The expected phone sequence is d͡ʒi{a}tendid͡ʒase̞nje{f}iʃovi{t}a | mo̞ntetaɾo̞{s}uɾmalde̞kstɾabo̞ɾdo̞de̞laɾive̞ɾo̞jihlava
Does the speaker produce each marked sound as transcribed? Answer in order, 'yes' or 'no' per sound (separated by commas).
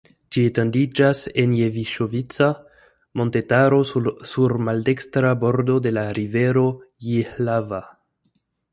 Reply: no, no, no, yes